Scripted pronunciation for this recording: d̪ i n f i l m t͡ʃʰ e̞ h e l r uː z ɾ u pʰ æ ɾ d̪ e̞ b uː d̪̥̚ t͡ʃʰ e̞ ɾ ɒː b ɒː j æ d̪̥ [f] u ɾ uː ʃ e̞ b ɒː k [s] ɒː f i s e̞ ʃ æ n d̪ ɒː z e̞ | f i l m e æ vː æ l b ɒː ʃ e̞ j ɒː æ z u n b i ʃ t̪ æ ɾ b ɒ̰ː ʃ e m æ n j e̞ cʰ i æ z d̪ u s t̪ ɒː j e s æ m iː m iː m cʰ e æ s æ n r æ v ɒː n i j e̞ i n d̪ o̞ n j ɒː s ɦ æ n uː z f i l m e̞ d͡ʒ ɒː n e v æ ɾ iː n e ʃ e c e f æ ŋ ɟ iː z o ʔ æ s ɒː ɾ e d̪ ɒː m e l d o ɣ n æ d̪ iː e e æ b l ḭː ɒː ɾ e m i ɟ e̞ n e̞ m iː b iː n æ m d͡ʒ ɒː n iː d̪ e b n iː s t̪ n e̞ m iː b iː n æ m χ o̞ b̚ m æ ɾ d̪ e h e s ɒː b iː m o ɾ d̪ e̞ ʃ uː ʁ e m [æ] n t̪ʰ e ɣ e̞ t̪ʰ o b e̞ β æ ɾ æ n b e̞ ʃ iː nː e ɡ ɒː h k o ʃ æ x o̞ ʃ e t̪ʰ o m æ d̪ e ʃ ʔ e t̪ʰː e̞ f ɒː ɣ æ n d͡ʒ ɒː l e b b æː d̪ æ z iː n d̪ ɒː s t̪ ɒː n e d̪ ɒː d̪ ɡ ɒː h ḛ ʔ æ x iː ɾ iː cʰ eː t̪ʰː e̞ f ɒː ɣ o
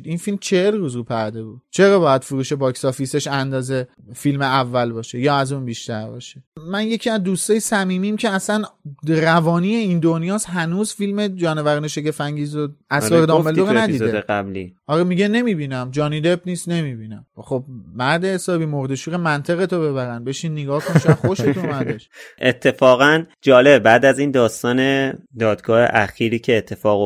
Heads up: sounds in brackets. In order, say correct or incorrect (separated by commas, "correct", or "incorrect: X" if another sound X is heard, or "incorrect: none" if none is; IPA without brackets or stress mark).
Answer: correct, correct, correct